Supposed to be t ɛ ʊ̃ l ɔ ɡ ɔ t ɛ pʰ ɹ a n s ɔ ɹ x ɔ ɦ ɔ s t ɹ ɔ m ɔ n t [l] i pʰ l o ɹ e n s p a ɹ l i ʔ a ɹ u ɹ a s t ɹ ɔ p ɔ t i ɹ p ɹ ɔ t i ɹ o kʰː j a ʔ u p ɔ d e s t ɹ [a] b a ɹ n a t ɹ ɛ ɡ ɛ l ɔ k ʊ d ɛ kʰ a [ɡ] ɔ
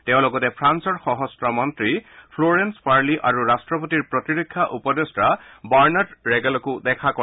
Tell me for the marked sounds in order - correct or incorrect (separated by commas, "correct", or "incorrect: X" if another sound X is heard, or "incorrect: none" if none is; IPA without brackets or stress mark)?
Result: incorrect: ɹ, correct, incorrect: k